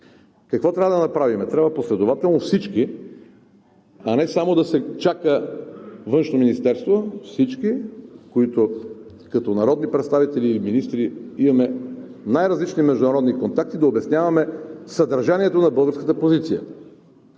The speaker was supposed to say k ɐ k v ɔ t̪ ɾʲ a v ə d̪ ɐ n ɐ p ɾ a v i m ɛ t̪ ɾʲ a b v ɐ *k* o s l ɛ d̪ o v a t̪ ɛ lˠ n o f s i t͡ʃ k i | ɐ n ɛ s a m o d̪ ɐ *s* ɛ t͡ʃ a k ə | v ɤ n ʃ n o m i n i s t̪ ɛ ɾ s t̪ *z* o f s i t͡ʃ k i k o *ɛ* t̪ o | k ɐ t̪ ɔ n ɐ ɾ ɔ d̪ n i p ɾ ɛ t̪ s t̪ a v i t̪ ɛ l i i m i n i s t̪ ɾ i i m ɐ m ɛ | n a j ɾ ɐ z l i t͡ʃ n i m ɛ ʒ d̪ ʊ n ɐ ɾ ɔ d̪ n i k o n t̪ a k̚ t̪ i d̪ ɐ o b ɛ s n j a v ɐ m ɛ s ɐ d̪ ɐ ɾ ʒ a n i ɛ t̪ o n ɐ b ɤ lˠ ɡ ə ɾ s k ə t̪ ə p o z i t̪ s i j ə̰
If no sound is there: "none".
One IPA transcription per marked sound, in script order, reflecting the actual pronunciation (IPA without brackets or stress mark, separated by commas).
p, s, v, i